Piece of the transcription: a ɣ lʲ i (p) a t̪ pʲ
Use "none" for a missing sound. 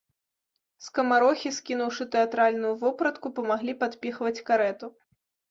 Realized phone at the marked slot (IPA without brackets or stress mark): p